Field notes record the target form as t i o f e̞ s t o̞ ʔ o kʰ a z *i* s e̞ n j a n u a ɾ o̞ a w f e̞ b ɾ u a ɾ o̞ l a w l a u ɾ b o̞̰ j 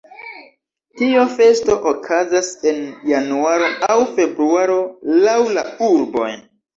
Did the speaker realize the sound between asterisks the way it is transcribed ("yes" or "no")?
no